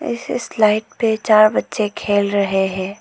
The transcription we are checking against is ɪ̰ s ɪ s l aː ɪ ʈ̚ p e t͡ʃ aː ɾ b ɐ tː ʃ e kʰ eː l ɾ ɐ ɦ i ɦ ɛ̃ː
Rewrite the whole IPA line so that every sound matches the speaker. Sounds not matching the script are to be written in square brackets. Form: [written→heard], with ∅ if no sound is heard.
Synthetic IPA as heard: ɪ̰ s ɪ s l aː ɪ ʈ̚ p e t͡ʃ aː ɾ b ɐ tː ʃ e kʰ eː l ɾ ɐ ɦ [i→e] ɦ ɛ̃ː